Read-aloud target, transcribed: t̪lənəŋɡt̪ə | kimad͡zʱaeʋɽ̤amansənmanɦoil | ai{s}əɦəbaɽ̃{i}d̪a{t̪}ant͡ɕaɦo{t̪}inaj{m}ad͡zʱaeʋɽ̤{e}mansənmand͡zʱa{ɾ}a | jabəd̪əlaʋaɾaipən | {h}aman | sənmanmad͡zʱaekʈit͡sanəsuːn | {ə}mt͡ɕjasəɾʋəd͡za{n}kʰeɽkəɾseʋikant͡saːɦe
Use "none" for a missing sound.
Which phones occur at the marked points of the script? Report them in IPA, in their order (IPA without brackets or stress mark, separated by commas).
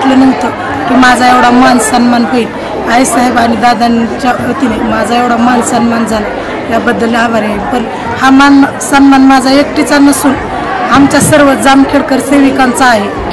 s, i, d̪, t̪, m, a, l, h, a, m